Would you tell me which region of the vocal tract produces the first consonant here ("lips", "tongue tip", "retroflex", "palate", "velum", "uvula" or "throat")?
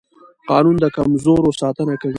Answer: uvula